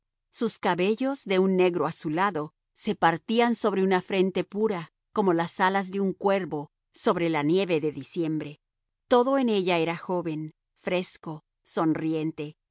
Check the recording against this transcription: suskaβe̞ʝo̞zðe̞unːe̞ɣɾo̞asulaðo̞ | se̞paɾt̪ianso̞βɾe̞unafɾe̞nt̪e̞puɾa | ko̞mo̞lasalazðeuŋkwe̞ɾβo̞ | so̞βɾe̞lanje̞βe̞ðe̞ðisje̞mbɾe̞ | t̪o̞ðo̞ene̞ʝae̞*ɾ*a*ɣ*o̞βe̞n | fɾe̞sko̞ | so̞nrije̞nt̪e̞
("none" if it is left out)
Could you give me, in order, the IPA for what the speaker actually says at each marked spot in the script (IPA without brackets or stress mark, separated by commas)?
ɾ, x